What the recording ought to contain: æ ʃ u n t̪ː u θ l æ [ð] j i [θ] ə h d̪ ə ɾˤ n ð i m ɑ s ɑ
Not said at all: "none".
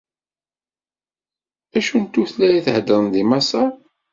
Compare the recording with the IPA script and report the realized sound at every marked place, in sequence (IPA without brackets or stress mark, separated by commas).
none, θ